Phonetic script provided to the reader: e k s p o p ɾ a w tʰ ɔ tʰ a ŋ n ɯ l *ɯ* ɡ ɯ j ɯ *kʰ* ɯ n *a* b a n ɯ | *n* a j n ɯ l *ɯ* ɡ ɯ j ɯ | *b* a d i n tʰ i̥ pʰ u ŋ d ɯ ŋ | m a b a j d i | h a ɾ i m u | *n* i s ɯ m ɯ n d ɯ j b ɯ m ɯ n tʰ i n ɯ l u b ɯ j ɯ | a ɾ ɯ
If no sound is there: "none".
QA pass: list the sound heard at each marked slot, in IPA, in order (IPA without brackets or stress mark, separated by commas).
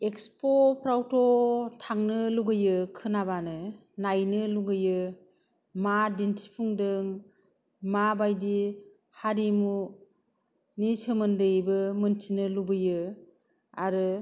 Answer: u, kʰ, a, n, u, m, n